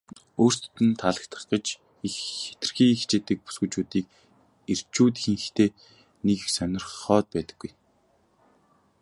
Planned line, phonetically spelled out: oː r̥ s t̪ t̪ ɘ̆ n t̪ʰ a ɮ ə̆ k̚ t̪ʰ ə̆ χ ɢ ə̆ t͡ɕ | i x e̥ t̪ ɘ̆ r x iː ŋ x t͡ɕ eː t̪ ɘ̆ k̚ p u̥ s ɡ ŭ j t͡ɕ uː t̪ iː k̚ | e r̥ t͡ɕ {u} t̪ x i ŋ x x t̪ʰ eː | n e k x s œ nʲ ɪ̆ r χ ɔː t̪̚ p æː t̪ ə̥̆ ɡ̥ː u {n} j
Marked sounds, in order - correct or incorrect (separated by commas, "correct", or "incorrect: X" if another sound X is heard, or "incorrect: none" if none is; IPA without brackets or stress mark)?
incorrect: uː, incorrect: none